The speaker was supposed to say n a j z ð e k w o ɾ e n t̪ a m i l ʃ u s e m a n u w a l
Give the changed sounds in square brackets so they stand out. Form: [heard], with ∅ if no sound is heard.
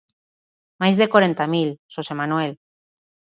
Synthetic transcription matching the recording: [m] a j z ð e k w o ɾ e n t̪ a m i l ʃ [o] s e m a n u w [e] l